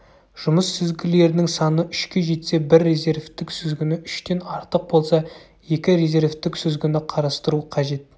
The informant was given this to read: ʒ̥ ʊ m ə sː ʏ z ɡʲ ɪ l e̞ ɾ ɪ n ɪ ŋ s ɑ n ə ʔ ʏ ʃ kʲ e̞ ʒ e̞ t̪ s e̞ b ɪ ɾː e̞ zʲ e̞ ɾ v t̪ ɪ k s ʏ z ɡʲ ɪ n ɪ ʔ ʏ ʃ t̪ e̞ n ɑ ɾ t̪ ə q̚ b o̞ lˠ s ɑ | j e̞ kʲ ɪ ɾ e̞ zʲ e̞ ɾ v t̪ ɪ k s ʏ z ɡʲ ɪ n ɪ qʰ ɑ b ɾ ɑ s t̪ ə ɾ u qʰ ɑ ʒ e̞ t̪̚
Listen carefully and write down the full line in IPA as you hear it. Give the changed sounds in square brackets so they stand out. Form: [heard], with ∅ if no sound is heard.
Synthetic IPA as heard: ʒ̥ ʊ m ə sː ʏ z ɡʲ ɪ l e̞ ɾ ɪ n ɪ ŋ s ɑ n ə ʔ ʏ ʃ kʲ e̞ ʒ e̞ t̪ s e̞ b ɪ ɾː e̞ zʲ e̞ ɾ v t̪ ɪ k s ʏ z ɡʲ ɪ n ɪ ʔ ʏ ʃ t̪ e̞ n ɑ ɾ t̪ ə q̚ b o̞ lˠ s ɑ | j e̞ kʲ ɪ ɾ e̞ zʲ e̞ ɾ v t̪ ɪ k s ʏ z ɡʲ ɪ n ɪ qʰ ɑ [∅] ɾ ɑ s t̪ ə ɾ u qʰ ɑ ʒ e̞ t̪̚